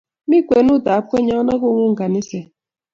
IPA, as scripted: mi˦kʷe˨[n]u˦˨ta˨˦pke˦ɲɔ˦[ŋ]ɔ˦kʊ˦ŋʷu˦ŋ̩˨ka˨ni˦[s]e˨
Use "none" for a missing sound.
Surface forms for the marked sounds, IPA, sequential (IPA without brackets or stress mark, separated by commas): n, n, s